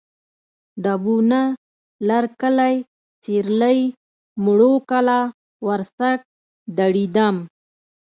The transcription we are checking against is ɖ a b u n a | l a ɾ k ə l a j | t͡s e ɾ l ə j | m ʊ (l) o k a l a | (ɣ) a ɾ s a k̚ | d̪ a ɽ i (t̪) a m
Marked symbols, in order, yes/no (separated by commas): no, no, no